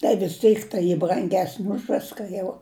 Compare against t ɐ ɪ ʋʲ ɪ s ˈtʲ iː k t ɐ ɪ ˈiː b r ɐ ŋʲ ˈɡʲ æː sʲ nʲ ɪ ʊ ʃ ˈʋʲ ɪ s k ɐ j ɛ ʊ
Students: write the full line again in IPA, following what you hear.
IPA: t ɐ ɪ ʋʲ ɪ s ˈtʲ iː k t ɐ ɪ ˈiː b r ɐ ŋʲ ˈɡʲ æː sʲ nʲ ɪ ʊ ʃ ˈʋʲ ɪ s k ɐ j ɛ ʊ